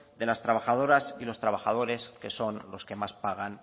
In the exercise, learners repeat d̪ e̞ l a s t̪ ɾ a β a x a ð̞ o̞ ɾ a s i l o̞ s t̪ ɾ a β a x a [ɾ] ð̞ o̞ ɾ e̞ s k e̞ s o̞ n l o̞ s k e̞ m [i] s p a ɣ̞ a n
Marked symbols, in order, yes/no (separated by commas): no, no